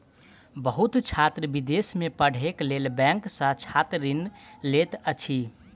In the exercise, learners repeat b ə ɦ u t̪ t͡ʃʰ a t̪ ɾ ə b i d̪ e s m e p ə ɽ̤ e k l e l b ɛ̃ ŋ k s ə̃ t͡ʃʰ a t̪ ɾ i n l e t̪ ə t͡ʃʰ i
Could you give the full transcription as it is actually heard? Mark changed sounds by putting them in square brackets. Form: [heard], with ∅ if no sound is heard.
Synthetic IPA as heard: b ə ɦ u t̪ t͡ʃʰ a t̪ ɾ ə b i d̪ e s m e p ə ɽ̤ e k l e l b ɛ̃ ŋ k s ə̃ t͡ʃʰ a t̪ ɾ i n l e t̪ ə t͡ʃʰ i